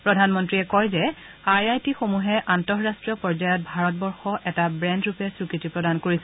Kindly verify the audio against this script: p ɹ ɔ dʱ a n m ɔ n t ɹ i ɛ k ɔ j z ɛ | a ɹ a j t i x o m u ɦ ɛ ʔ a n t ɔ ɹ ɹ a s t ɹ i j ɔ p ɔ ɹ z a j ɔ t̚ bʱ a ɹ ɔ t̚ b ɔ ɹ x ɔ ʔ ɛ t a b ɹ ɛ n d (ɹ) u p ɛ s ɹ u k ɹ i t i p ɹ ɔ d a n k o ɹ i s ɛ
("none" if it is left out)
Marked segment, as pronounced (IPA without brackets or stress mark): ɹ